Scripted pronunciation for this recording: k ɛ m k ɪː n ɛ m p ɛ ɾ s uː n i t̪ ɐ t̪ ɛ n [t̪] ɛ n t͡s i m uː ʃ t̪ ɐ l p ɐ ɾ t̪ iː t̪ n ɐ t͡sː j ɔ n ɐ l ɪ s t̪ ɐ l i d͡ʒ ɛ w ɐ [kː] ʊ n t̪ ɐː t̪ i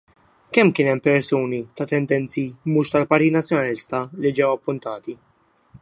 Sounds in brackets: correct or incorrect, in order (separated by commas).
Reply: incorrect, incorrect